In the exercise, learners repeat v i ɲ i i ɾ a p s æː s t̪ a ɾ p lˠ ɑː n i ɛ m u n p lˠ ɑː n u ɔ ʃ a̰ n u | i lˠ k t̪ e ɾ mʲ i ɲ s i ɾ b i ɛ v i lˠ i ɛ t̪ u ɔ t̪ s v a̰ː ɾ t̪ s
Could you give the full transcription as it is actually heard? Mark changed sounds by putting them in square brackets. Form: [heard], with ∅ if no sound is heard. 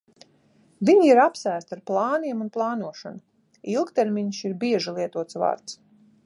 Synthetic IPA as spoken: v i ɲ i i ɾ a p s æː s t̪ a ɾ p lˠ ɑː n i ɛ m u n p lˠ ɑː n u ɔ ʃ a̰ n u | i lˠ k t̪ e ɾ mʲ i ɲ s i ɾ b i ɛ [ʒ] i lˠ i ɛ t̪ u ɔ t̪ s v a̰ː ɾ t̪ s